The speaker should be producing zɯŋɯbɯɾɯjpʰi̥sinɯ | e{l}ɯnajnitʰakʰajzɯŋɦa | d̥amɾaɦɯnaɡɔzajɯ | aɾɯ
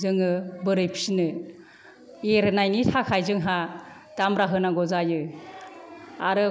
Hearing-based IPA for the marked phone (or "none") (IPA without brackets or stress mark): ɾ